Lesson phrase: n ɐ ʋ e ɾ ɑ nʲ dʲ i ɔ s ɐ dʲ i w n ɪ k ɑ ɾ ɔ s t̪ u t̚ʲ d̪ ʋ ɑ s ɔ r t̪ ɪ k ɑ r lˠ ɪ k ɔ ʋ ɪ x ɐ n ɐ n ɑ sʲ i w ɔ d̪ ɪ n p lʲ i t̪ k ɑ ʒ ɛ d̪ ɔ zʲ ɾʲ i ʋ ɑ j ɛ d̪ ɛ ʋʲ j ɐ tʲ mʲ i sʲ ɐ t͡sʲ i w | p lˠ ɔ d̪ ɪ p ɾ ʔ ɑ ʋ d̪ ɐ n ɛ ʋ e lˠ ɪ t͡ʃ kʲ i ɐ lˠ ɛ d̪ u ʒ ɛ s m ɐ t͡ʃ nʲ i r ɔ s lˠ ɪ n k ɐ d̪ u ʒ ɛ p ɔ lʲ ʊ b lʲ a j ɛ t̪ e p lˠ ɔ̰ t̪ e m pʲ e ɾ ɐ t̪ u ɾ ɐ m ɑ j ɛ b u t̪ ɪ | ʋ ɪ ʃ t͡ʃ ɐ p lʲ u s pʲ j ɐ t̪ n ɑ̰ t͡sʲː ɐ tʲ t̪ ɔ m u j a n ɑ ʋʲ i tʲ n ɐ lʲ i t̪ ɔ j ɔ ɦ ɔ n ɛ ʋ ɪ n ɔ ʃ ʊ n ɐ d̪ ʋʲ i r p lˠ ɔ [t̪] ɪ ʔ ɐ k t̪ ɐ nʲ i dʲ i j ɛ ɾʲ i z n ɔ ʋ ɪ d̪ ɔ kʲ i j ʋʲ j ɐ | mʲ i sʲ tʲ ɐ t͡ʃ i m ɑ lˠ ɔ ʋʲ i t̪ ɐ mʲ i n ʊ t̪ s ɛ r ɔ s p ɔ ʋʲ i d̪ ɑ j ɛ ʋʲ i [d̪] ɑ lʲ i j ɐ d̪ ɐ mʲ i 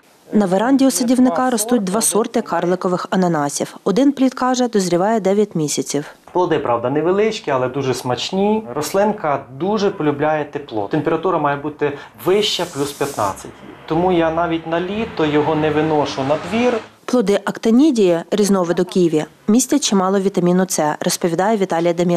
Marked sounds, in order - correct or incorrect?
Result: incorrect: d̪, incorrect: t̪

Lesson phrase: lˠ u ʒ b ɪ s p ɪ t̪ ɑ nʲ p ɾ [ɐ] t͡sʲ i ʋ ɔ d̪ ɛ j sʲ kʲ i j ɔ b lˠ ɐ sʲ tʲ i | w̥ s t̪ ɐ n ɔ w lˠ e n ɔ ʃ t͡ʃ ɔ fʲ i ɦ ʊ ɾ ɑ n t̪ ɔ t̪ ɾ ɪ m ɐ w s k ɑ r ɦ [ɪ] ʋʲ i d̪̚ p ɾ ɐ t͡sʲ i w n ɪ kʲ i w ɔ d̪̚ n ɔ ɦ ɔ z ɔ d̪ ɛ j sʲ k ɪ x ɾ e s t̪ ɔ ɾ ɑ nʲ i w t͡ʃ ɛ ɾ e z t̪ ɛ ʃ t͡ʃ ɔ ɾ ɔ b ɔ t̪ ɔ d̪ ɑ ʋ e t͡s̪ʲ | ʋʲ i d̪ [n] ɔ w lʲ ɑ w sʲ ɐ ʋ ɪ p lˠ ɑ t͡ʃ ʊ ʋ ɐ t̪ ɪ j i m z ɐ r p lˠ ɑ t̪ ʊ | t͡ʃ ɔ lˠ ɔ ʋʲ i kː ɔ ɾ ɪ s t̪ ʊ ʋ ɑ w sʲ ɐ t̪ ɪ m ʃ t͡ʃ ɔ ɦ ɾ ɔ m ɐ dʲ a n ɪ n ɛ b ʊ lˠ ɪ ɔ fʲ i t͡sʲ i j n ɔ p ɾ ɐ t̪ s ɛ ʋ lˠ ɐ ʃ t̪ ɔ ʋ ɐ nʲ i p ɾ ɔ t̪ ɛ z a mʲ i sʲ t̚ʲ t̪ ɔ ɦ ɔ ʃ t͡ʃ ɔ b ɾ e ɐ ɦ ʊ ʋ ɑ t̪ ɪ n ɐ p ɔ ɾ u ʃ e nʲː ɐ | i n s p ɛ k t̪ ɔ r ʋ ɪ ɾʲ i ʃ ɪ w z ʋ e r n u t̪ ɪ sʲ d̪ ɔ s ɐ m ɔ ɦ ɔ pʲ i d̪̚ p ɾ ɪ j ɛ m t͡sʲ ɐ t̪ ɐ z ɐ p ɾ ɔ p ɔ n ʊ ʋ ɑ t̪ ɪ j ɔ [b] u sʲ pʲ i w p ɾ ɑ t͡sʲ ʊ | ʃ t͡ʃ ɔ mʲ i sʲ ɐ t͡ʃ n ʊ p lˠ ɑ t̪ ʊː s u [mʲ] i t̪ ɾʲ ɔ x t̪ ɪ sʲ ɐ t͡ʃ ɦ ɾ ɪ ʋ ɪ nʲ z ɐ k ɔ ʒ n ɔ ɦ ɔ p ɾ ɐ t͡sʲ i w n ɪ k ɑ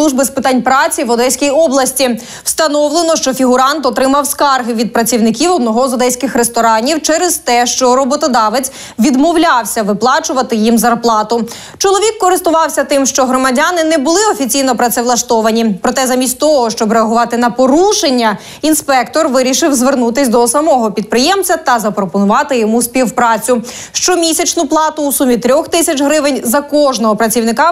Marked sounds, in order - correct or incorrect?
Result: incorrect: ɑ, correct, incorrect: m, incorrect: m, correct

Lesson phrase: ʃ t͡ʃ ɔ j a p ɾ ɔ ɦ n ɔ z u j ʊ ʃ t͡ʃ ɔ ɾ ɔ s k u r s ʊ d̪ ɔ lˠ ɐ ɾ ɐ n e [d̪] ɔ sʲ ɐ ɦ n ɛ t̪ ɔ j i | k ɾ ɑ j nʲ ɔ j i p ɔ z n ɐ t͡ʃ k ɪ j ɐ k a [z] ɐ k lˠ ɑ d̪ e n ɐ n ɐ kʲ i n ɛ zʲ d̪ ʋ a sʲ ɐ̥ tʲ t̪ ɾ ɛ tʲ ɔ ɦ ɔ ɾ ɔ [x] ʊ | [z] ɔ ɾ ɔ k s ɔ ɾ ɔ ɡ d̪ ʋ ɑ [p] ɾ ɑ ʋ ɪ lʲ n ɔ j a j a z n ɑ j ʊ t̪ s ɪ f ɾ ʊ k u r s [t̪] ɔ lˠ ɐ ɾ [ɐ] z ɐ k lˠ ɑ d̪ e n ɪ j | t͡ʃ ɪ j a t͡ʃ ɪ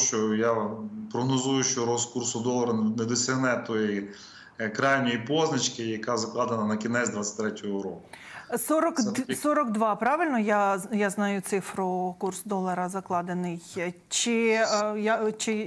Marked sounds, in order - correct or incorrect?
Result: correct, correct, incorrect: k, incorrect: s, correct, incorrect: d̪, correct

